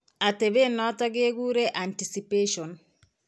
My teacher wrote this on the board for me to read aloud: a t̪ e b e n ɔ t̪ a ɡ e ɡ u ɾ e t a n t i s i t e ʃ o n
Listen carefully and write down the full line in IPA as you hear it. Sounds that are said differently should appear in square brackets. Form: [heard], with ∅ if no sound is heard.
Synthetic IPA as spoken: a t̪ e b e n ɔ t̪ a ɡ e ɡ u ɾ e [ʔ] a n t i s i [p] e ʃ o n

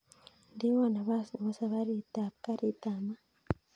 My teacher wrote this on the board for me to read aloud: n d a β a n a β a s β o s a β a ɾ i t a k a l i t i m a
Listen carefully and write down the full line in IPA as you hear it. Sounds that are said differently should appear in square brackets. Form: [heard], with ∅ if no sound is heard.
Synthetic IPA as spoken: n d [i] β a n a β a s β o s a β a ɾ i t a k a [ɾ] i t [a] m a

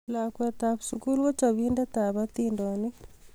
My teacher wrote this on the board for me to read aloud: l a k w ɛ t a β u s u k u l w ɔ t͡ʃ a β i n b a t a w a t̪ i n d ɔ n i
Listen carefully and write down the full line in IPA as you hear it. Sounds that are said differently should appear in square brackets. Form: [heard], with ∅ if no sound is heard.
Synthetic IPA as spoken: l a k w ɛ t a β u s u k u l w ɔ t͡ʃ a β i n [d] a t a [β] a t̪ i n d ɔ n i

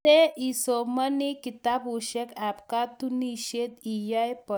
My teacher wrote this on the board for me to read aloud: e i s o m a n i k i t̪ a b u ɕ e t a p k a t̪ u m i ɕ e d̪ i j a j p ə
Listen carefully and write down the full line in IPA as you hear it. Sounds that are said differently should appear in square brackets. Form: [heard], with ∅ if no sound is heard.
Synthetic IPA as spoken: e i s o m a n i k i t̪ a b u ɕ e [k] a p k a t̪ u [n] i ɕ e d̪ i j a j p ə

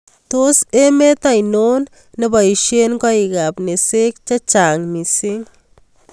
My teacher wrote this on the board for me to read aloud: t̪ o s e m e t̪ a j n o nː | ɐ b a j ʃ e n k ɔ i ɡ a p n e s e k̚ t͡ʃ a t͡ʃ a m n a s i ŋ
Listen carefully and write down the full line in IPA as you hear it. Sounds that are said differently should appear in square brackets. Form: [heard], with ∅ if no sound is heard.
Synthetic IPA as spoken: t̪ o s e m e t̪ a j n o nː | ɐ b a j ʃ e n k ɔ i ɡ a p n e s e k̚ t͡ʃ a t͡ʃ a [ŋ] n [i] s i ŋ

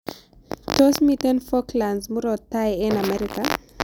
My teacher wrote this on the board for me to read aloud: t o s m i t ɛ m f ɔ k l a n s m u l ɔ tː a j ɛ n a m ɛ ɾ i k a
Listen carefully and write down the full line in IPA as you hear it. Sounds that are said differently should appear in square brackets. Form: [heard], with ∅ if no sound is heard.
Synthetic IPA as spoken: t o s m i t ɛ [n] f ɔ k l a n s m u [ɾ] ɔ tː a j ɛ n a m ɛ ɾ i k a

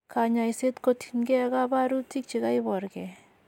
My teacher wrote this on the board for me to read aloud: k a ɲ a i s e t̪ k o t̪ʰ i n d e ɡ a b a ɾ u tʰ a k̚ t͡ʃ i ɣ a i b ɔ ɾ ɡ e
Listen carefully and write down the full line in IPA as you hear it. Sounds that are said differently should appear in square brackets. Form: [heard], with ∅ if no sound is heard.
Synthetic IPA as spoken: k a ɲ a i s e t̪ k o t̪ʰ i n [ɡ] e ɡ a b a ɾ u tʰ [i] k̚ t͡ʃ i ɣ a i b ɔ ɾ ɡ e

